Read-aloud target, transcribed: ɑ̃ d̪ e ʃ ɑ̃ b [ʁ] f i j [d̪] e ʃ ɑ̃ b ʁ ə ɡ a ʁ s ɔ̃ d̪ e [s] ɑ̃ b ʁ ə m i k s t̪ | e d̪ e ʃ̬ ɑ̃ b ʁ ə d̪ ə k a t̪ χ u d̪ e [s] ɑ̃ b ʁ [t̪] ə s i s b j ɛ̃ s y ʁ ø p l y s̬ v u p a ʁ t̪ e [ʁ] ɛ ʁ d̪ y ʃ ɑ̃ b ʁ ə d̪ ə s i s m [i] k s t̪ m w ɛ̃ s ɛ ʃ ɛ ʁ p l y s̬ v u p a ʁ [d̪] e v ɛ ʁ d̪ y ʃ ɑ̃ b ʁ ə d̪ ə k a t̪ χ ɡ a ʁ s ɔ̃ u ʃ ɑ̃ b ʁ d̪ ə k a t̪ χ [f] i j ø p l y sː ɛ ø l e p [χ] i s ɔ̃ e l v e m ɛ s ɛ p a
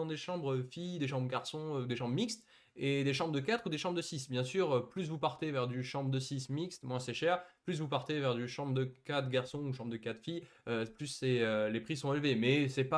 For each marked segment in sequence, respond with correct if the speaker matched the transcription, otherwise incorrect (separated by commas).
correct, correct, incorrect, incorrect, incorrect, incorrect, correct, incorrect, correct, correct